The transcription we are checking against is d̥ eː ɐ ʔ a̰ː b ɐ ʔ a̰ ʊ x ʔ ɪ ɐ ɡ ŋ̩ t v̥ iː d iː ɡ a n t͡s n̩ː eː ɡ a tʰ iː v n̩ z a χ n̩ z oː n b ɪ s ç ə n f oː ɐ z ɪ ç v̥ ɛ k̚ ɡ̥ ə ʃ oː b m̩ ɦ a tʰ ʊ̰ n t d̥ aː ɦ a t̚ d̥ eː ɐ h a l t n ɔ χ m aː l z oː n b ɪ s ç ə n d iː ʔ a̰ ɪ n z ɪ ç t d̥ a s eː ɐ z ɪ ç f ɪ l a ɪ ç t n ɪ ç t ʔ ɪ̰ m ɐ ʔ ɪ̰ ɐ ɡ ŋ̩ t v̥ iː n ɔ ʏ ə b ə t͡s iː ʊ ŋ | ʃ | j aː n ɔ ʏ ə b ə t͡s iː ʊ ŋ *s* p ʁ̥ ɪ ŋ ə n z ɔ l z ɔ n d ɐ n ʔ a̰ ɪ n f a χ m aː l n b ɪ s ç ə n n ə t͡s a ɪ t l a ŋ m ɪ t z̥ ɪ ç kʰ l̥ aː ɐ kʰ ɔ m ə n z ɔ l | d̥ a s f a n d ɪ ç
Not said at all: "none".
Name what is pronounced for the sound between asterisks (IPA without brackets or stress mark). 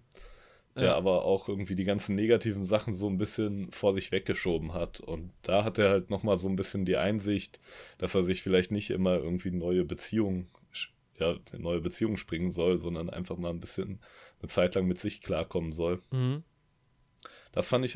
ʃ